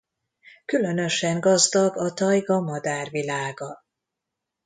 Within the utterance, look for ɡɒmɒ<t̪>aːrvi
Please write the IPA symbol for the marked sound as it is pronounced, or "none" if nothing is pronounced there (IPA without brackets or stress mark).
d̪